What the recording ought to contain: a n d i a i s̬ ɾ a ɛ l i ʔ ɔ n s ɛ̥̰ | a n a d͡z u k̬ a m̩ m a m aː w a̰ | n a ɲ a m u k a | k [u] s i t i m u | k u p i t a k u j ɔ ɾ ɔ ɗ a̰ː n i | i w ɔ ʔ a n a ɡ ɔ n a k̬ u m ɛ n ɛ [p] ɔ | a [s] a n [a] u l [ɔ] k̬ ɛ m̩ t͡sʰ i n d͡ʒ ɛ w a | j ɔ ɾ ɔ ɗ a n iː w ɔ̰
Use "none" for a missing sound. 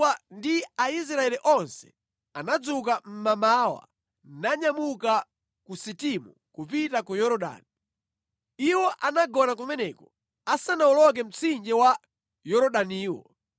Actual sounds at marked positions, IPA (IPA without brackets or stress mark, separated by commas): u, k, s, a, ɔ